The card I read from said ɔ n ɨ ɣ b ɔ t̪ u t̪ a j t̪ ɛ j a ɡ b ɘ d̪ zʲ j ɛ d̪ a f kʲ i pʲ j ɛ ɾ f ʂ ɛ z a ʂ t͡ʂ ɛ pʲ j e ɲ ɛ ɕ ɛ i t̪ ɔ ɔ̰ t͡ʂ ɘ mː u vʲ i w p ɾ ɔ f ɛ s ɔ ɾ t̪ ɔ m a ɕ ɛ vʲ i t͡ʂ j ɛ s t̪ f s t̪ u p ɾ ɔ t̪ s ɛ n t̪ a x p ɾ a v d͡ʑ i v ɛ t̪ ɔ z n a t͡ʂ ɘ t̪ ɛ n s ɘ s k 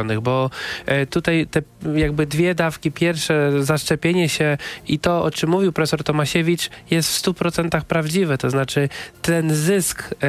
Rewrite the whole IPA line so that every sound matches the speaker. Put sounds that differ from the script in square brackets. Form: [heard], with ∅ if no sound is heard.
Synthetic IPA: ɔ n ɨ ɣ b ɔ t̪ u t̪ a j t̪ ɛ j a ɡ b ɘ d̪ [vʲ] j ɛ d̪ a f kʲ i pʲ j ɛ ɾ f ʂ ɛ z a ʂ t͡ʂ ɛ pʲ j e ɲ ɛ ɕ ɛ i t̪ ɔ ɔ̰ t͡ʂ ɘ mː u vʲ i w p ɾ ɔ f ɛ s ɔ ɾ t̪ ɔ m a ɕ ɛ vʲ i t͡ʂ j ɛ s t̪ f s t̪ u p ɾ ɔ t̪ s ɛ n t̪ a x p ɾ a v d͡ʑ i v ɛ t̪ ɔ z n a t͡ʂ ɘ t̪ ɛ n [z] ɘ s k